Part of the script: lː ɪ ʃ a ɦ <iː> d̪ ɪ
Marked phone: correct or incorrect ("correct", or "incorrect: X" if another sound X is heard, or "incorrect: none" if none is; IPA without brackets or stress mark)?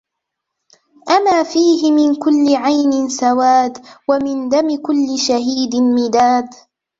correct